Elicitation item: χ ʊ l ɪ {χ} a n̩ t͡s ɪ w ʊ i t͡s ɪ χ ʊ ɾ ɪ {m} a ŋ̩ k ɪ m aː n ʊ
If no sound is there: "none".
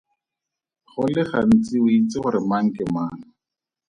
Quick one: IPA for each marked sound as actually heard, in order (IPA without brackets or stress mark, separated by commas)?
χ, m